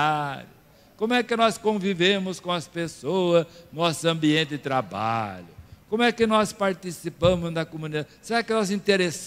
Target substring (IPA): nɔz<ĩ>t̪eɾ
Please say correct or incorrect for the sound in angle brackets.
correct